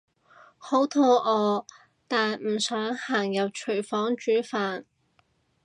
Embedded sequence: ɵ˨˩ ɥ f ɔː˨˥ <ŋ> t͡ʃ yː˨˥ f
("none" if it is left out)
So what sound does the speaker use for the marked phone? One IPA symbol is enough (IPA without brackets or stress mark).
ŋ